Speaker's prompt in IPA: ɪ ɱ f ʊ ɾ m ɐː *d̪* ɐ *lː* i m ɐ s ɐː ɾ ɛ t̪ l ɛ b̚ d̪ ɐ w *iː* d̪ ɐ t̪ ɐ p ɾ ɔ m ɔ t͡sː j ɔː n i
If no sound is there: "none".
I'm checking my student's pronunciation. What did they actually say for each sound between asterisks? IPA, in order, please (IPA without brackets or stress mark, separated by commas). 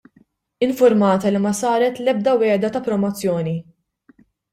t̪, l, ɛː